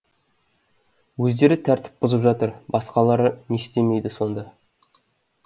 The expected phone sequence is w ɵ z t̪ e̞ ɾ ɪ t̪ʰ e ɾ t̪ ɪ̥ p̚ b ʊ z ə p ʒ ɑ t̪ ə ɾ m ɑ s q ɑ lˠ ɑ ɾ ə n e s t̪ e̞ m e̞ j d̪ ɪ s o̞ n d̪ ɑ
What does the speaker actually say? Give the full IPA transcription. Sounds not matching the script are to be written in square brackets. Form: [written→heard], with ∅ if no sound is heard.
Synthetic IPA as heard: w ɵ z [t̪→d̪] e̞ ɾ ɪ t̪ʰ [e→æ] ɾ t̪ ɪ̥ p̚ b ʊ z ə p ʒ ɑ t̪ ə ɾ [m→b] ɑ s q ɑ lˠ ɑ ɾ ə n e s t̪ e̞ m e̞ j d̪ ɪ s o̞ n d̪ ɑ